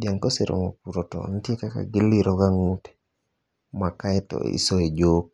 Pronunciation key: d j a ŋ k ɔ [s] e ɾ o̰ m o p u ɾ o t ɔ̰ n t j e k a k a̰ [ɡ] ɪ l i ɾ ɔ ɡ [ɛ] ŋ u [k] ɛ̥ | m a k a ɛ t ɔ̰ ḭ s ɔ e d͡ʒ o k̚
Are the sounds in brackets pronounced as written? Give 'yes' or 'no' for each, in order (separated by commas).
yes, yes, no, no